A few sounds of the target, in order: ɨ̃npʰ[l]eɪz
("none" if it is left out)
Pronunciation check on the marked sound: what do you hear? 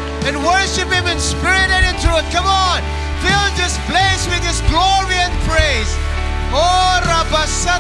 ɹ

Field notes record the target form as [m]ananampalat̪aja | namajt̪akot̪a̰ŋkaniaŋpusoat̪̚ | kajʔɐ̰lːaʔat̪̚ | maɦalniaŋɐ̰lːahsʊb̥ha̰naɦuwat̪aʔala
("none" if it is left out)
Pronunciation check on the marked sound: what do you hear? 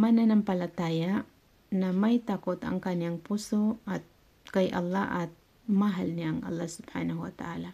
m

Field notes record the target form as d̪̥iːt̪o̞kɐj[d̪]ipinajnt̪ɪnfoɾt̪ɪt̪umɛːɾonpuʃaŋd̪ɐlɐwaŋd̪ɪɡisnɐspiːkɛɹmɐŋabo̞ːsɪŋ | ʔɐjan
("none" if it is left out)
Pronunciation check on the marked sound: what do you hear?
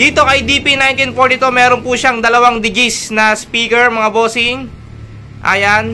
d̪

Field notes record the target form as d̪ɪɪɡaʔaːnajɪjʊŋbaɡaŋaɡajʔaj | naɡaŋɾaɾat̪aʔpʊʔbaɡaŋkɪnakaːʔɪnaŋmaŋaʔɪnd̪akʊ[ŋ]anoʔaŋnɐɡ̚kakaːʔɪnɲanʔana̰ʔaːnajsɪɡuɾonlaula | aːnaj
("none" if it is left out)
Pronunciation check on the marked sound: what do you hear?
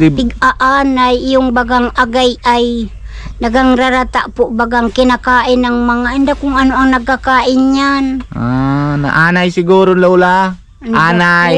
ŋ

